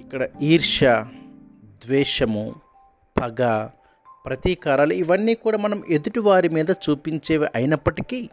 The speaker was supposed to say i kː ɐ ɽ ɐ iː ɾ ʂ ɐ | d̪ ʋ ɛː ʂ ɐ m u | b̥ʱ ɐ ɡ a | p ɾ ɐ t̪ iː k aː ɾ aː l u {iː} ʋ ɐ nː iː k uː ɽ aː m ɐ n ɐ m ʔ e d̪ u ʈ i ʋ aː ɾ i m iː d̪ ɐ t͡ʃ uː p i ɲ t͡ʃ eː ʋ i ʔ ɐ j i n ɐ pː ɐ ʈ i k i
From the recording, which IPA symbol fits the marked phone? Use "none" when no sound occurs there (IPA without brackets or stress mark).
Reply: i